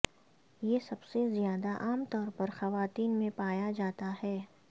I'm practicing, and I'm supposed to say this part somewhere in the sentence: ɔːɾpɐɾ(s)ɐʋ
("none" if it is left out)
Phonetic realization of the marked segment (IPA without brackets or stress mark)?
x